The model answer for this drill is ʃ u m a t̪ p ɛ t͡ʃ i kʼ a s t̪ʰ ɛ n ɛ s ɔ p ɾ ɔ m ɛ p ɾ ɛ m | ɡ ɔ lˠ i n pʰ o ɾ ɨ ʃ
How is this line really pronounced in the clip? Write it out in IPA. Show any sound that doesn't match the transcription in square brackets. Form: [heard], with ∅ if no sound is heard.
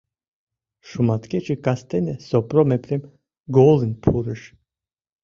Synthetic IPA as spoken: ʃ u m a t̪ [k] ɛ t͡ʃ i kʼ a s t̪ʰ ɛ n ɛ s ɔ p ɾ ɔ m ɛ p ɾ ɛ m | ɡ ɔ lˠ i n pʰ [u] ɾ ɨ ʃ